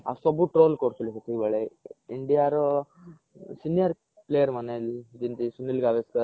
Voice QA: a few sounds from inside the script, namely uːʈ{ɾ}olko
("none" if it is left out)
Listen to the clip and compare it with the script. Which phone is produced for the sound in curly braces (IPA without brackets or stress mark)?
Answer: ɾ